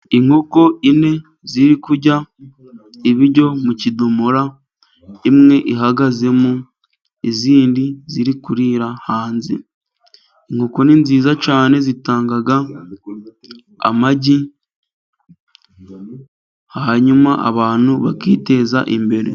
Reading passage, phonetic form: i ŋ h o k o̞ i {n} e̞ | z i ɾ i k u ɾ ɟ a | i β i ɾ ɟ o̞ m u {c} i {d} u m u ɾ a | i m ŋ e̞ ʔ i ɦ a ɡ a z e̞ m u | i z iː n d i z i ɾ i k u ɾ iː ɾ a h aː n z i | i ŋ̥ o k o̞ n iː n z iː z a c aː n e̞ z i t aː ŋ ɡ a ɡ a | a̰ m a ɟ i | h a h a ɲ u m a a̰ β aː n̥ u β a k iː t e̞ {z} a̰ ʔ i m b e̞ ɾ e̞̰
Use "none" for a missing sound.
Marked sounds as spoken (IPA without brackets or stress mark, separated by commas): n, c, d, z